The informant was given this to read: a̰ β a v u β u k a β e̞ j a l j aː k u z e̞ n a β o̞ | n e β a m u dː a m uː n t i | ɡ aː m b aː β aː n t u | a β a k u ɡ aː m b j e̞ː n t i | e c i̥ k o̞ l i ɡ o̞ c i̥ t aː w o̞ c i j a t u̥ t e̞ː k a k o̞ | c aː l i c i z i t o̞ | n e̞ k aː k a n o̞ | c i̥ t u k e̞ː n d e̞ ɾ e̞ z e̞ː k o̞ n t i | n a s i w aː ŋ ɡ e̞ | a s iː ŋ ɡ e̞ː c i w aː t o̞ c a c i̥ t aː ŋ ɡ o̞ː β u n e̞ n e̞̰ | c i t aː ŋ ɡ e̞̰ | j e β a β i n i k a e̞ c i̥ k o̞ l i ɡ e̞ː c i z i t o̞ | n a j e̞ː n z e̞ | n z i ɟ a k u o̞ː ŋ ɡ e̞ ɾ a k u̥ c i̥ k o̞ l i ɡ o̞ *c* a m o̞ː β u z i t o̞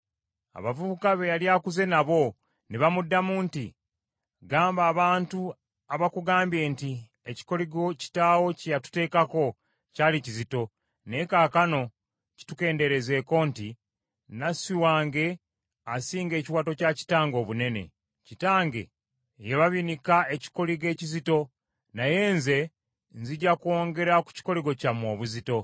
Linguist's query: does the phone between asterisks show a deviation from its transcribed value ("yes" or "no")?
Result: no